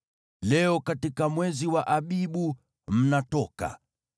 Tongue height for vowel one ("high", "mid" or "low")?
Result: mid